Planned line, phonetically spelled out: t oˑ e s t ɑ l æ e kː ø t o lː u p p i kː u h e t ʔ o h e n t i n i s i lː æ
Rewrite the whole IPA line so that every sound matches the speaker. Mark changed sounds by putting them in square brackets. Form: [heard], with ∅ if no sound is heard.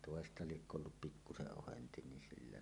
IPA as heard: t oˑ e s t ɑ l [i] e kː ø [∅] o lː u p p i kː u [s] e [ʔ] ʔ o h e n t i n i s i lː æ